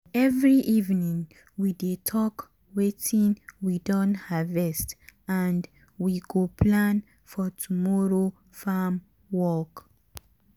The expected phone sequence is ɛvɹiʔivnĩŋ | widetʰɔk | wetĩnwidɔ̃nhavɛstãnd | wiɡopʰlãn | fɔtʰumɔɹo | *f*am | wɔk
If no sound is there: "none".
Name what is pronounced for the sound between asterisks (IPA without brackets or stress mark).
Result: f